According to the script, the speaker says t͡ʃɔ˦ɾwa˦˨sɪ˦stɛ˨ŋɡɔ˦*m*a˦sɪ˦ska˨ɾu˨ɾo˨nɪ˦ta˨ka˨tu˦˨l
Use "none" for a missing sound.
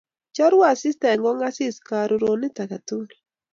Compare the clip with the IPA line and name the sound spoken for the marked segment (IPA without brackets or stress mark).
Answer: ŋ